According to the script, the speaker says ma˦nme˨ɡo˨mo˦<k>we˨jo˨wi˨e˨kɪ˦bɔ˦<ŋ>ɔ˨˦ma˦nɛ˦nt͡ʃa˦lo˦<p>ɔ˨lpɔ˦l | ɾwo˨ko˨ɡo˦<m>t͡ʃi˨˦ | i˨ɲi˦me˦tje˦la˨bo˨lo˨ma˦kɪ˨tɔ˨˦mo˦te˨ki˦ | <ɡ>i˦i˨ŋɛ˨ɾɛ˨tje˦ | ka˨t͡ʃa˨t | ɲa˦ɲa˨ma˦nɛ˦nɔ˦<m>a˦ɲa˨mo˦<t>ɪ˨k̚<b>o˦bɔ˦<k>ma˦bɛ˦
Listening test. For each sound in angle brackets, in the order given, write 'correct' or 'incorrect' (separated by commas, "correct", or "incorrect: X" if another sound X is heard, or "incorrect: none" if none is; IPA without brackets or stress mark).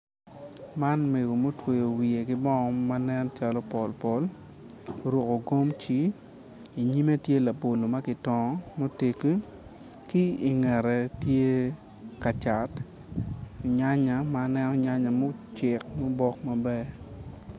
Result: incorrect: t, correct, correct, correct, incorrect: k, incorrect: ɲ, incorrect: t͡ʃ, incorrect: m, correct